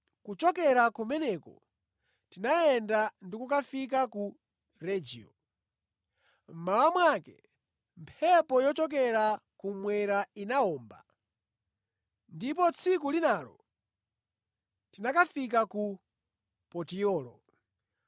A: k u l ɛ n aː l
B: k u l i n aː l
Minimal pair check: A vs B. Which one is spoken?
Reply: B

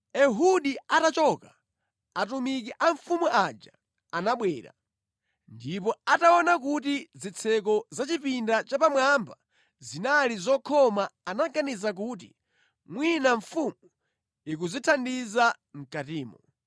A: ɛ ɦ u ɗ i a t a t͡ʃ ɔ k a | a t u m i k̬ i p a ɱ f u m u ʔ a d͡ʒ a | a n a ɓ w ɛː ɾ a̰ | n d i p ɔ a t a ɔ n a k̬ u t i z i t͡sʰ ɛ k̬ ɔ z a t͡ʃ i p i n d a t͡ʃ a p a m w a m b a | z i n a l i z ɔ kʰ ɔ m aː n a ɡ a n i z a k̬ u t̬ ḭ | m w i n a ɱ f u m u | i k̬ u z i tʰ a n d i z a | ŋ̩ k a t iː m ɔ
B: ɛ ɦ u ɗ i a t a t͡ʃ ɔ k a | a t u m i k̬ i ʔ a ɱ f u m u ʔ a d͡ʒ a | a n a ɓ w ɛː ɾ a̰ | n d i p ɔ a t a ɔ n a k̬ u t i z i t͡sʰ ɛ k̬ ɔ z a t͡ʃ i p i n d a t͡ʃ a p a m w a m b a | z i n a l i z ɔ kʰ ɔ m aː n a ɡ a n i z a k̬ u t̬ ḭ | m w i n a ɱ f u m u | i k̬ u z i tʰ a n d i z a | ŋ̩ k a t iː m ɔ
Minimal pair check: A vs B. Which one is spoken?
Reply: B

